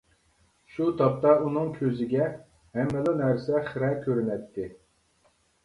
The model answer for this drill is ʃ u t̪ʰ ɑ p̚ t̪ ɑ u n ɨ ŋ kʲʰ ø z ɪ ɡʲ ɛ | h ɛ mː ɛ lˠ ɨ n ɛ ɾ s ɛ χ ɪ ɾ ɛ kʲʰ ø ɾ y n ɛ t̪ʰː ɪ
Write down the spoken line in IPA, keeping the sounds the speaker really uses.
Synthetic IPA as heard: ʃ u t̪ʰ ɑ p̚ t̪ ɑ u n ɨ ŋ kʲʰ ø z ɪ ɡʲ ɛ | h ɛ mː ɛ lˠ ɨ n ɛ ɾ s ɛ χ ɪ ɾ ɛ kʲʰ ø ɾ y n ɛ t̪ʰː ɪ